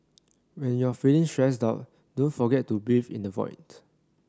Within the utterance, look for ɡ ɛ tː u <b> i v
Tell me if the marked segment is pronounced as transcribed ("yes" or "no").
yes